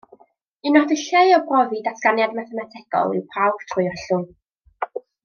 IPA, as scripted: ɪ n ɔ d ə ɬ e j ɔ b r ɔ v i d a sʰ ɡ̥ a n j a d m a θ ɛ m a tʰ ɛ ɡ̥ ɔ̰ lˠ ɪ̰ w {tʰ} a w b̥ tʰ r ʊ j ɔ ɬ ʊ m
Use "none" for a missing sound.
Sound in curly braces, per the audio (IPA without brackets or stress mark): pʰ